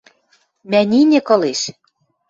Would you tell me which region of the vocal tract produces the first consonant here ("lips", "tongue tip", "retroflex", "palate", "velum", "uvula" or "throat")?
lips